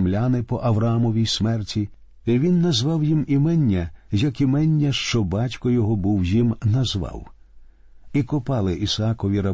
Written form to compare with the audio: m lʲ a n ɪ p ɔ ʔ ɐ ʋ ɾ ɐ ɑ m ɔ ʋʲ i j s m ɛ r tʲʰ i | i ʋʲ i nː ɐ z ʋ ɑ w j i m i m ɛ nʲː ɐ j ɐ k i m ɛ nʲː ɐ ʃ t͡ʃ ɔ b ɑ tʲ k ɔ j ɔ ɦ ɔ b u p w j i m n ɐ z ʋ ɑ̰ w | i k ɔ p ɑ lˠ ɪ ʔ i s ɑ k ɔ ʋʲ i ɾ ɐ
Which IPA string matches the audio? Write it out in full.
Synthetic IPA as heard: m lʲ a n ɪ p ɔ ʔ ɐ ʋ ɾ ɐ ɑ m ɔ ʋʲ i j s m ɛ r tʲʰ i | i ʋʲ i nː ɐ z ʋ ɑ w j i m i m ɛ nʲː ɐ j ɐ k i m ɛ nʲː ɐ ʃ t͡ʃ ɔ b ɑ tʲ k ɔ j ɔ ɦ ɔ b u w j i m n ɐ z ʋ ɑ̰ w | i k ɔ p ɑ lˠ ɪ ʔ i s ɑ k ɔ ʋʲ i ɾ ɐ